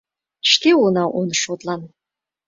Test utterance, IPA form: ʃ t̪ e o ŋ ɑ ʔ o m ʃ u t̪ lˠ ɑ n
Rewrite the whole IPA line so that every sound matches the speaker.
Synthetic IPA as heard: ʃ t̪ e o n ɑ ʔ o n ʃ o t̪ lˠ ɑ n